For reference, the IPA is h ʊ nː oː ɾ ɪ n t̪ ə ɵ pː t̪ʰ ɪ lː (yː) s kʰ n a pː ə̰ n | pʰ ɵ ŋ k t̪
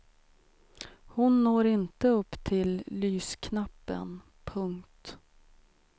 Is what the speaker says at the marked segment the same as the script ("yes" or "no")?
yes